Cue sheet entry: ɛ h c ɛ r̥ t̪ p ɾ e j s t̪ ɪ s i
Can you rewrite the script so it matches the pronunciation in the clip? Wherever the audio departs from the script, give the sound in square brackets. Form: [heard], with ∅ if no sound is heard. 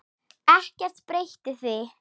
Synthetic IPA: ɛ h c ɛ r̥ t̪ p ɾ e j [h] t̪ ɪ [θ] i